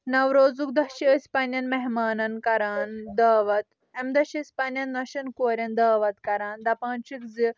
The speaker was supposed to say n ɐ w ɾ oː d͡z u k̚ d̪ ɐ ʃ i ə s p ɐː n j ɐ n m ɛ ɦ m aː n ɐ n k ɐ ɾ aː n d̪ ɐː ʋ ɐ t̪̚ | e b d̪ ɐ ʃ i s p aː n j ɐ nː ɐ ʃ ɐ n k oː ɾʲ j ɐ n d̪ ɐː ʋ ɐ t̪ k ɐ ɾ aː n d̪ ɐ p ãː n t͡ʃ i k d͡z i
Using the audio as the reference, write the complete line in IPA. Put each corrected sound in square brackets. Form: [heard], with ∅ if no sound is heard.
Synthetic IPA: n ɐ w ɾ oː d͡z u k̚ d̪ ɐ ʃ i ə s p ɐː n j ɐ n m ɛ ɦ m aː n ɐ n k ɐ ɾ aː n d̪ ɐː ʋ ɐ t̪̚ | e [m] d̪ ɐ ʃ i s p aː n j ɐ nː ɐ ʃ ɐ n k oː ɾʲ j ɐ n d̪ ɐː ʋ ɐ t̪ k ɐ ɾ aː n d̪ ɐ p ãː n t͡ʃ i k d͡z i